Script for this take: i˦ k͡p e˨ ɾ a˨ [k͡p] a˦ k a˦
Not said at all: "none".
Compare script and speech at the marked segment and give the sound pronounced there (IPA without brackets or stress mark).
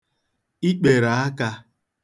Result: none